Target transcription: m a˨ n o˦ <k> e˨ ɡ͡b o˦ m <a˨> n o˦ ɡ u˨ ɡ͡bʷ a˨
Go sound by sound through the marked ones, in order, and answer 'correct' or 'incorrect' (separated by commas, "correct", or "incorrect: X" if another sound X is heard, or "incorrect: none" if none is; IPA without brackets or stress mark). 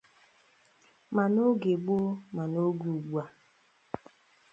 incorrect: ɡ, correct